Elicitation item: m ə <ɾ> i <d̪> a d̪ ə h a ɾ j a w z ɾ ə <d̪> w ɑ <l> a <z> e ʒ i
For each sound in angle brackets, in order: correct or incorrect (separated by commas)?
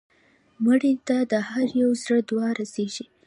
incorrect, incorrect, correct, incorrect, incorrect